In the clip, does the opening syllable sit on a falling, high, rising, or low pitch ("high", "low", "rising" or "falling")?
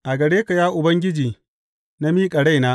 low